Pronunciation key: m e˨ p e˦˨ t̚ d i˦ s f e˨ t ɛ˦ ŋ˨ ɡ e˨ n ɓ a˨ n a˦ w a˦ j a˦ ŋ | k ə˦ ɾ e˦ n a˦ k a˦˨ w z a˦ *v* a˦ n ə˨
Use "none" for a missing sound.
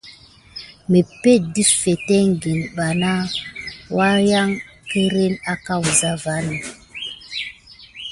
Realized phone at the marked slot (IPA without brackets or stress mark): v